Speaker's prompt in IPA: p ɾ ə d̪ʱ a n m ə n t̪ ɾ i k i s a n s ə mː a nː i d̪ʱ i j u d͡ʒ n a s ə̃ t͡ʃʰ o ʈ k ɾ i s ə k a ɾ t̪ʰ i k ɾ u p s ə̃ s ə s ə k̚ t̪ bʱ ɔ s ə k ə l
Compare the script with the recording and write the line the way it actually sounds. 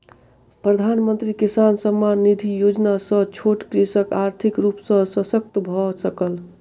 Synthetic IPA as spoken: p ɾ ə d̪ʱ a n m ə n t̪ ɾ i k i s a n s ə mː a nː i d̪ʱ i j o d͡ʒ n a s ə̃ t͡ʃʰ o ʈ k ɾ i s ə k a ɾ t̪ʰ i k ɾ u p s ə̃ s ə s ə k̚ t̪ bʱ ɔ s ə k ə l